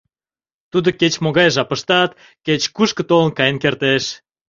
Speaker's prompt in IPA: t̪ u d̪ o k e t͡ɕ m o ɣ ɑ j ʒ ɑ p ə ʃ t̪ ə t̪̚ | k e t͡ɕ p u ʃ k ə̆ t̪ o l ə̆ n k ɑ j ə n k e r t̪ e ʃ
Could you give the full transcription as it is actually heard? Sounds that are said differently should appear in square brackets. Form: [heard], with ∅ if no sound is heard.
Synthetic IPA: t̪ u d̪ o k e t͡ɕ m o ɣ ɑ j ʒ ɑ p ə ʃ t̪ [ɑ] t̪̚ | k e t͡ɕ [k] u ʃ k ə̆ t̪ o l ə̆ n k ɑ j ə n k e r t̪ e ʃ